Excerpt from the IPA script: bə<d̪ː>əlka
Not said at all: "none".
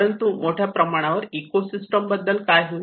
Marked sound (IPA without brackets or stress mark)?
d̪ː